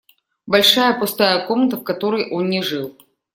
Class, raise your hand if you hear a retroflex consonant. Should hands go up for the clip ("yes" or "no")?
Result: yes